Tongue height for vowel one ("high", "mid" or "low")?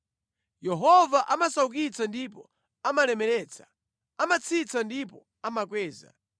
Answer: mid